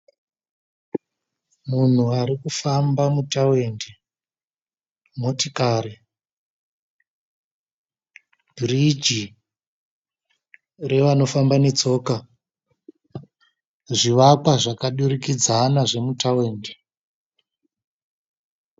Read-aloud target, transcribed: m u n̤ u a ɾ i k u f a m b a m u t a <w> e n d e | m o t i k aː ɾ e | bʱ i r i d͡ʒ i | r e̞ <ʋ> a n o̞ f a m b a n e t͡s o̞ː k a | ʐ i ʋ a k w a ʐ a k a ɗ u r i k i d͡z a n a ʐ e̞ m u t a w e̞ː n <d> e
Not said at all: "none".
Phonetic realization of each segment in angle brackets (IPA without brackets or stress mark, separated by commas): w, ʋ, d